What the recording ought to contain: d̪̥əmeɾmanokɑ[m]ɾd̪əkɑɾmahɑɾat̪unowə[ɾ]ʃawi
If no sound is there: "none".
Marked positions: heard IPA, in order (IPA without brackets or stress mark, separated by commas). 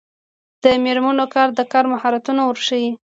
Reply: none, ɾ